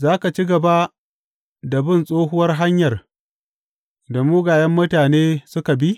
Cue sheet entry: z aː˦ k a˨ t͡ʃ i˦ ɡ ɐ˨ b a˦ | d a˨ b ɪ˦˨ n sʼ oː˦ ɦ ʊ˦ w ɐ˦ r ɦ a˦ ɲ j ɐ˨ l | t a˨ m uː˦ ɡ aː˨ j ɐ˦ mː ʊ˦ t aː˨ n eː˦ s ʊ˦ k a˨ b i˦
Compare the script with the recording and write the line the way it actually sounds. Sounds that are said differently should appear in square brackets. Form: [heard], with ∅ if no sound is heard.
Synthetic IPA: z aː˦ k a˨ t͡ʃ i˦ ɡ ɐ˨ b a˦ | d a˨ b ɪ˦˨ n sʼ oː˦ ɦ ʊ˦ w ɐ˦ r ɦ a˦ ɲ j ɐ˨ [r] | [d] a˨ m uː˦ ɡ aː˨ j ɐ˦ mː ʊ˦ t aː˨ n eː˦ s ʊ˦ k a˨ b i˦